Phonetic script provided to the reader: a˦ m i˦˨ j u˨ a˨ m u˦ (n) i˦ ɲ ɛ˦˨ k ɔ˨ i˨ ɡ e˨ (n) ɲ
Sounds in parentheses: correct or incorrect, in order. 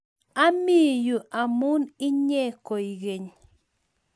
correct, incorrect: none

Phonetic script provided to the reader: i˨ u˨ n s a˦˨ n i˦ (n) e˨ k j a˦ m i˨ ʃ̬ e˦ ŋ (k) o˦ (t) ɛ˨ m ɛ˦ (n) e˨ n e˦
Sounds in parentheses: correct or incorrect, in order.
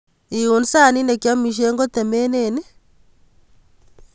correct, incorrect: ɡ, correct, correct

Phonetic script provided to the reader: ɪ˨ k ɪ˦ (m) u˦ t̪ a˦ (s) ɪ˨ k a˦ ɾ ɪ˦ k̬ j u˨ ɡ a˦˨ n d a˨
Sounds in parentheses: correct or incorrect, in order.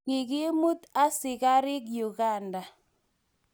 correct, correct

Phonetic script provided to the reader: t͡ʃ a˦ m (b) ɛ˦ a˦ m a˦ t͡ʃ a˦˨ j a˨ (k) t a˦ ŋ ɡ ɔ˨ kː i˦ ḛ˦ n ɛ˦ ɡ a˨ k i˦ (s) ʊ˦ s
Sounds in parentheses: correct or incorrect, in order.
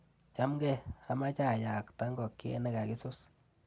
incorrect: ɡ, correct, correct

